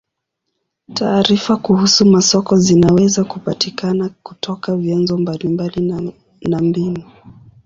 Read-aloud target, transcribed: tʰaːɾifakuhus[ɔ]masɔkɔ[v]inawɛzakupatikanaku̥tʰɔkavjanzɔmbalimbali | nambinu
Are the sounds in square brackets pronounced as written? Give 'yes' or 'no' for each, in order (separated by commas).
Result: no, no